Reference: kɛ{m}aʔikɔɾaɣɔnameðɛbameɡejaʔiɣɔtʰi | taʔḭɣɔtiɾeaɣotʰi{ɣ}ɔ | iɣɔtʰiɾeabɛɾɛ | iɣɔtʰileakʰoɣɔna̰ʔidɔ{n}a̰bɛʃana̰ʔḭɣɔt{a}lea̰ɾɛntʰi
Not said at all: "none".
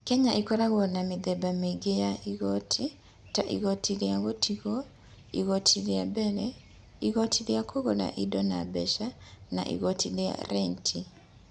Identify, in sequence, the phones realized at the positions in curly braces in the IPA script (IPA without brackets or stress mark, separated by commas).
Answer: ɲ, ɣ, n, i